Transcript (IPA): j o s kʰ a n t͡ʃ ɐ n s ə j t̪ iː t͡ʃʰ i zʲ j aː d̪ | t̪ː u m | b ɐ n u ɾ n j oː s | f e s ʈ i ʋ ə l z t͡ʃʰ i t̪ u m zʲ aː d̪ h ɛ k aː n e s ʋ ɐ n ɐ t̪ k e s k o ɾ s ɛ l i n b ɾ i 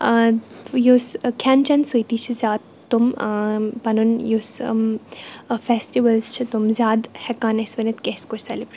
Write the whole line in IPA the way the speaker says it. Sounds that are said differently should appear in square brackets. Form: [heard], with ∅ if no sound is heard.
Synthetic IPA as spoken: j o s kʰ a n t͡ʃ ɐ n s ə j t̪ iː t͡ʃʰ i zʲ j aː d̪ | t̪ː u m | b ɐ n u [∅] n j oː s | f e s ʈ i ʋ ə l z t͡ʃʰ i t̪ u m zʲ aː d̪ h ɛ k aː n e s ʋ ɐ n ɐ t̪ k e s k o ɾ s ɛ l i [∅] b ɾ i